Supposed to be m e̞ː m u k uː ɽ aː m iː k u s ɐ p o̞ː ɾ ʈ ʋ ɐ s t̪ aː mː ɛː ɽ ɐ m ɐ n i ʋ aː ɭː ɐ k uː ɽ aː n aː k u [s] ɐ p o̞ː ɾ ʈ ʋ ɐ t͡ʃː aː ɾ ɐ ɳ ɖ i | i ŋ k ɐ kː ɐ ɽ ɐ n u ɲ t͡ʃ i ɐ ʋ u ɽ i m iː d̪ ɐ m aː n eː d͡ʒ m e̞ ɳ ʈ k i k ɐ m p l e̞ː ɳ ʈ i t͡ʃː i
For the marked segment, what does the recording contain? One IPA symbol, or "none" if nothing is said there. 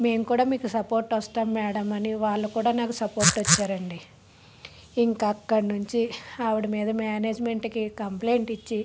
s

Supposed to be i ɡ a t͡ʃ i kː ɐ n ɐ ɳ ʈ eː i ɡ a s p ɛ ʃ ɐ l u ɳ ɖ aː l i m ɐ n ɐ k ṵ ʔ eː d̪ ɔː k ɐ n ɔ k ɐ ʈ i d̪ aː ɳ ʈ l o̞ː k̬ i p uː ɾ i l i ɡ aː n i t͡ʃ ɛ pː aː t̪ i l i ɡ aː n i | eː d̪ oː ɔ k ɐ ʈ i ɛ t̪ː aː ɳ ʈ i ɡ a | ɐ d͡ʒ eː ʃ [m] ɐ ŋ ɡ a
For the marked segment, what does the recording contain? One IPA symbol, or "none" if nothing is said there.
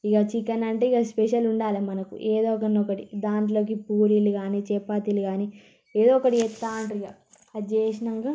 n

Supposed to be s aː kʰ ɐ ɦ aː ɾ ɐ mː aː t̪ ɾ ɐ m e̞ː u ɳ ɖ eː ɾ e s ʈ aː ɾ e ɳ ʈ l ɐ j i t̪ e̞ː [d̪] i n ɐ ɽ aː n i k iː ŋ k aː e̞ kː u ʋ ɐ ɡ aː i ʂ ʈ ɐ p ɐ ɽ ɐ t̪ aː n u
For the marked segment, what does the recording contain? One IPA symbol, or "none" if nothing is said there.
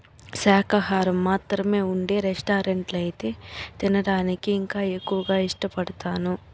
t̪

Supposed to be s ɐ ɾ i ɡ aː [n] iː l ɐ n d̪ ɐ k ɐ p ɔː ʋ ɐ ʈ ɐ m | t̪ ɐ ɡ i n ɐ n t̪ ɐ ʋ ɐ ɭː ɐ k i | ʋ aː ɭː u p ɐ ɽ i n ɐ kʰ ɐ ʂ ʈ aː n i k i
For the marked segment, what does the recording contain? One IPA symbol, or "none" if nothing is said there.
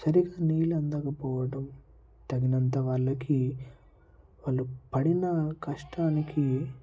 n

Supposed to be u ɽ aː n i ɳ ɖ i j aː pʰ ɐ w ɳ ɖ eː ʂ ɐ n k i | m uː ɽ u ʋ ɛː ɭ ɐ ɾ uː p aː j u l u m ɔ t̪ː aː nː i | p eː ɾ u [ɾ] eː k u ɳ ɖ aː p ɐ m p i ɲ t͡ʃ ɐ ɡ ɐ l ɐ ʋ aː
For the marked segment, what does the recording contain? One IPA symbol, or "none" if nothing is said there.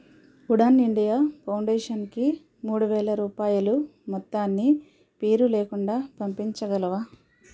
l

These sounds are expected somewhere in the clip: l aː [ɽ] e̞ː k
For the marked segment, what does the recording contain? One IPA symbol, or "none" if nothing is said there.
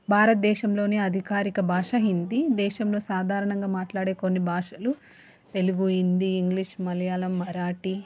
ɽ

